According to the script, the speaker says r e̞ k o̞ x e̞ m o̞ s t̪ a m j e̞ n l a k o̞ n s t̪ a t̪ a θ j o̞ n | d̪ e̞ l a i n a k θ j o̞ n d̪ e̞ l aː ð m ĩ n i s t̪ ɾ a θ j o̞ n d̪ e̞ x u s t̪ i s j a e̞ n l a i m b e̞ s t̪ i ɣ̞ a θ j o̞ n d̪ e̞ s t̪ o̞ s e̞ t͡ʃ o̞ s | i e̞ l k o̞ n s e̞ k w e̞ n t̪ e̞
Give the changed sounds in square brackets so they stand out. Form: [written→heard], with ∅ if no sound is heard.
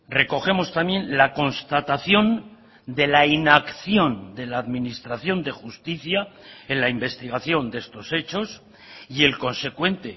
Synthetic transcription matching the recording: r e̞ k o̞ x e̞ m o̞ s t̪ a m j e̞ n l a k o̞ n s t̪ a t̪ a θ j o̞ n | d̪ e̞ l a i n a k θ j o̞ n d̪ e̞ l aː ð m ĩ n i s t̪ ɾ a θ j o̞ n d̪ e̞ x u s t̪ i [s→θ] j a e̞ n l a i m b e̞ s t̪ i ɣ̞ a θ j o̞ n d̪ e̞ s t̪ o̞ s e̞ t͡ʃ o̞ s | i e̞ l k o̞ n s e̞ k w e̞ n t̪ e̞